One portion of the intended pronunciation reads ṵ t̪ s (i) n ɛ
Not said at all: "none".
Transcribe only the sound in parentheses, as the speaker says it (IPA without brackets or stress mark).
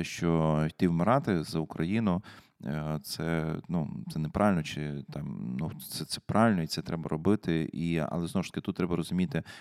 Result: ɛ